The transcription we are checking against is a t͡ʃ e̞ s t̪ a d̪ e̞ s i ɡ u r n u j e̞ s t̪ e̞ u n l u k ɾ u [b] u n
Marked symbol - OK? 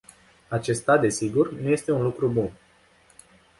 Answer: yes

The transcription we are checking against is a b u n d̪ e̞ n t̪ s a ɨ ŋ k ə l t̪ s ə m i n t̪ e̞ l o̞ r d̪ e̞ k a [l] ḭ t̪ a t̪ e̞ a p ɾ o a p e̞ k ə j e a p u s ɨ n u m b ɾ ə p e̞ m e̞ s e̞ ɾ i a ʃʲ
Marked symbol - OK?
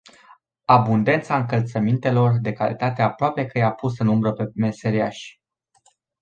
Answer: yes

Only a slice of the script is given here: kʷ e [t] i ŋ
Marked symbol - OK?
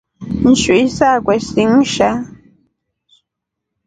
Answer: no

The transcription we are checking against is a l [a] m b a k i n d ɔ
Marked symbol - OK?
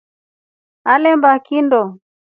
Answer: no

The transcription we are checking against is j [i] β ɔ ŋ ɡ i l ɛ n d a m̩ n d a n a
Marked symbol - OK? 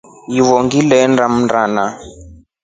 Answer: yes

